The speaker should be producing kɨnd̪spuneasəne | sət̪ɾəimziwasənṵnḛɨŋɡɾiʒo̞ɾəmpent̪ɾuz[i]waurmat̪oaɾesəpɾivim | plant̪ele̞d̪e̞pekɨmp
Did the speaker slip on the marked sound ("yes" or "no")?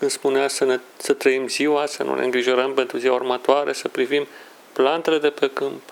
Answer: no